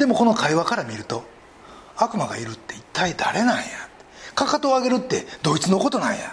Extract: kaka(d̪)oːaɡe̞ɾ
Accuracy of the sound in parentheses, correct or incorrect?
incorrect